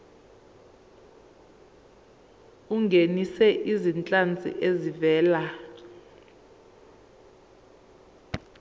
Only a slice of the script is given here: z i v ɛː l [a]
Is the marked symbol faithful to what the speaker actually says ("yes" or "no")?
yes